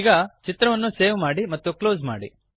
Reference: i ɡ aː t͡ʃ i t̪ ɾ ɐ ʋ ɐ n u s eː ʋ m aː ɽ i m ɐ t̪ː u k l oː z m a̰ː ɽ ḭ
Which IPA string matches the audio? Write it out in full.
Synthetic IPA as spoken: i ɡ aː t͡ʃ i t̪ ɾ ɐ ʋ ɐ nː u s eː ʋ m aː ɽ i m ɐ t̪ː u k l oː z m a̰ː ɽ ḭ